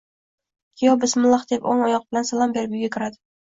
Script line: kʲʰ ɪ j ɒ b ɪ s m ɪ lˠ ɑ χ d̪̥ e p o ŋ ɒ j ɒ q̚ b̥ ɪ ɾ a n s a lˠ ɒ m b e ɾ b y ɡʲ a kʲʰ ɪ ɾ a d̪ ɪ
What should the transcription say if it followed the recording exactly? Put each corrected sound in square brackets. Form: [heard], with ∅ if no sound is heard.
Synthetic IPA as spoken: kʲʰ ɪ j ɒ b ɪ s m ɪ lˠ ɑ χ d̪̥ e p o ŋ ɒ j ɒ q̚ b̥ ɪ [l] a n s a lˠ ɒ m b e ɾ b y ɡʲ a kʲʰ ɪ ɾ a d̪ ɪ